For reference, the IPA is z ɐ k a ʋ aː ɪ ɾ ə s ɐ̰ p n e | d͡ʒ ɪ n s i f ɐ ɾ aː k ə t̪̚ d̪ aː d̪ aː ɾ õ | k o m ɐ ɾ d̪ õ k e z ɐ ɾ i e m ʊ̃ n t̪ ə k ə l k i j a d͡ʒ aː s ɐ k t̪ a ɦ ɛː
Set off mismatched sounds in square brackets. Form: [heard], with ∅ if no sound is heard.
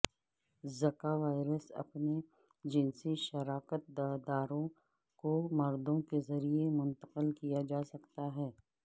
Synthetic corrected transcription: z ɐ k a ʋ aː ɪ ɾ ə s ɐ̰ p n e | d͡ʒ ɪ n s i [ʃ] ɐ ɾ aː k ə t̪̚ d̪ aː d̪ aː ɾ õ | k o m ɐ ɾ d̪ õ k e z ɐ ɾ i e m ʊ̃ n t̪ ə [q] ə l k i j a d͡ʒ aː s ɐ k t̪ a ɦ ɛː